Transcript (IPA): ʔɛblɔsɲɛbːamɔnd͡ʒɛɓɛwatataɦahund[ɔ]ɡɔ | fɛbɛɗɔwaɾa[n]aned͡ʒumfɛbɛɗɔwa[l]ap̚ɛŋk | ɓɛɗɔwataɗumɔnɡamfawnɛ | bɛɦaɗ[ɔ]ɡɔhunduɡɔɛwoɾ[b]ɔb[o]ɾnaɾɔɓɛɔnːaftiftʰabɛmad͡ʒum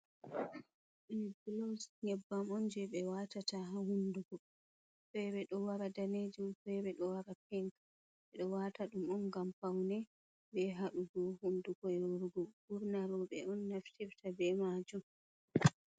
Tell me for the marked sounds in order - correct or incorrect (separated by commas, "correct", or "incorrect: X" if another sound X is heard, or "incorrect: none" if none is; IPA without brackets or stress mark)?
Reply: incorrect: u, incorrect: d, incorrect: ɾ, incorrect: u, incorrect: ɡ, incorrect: u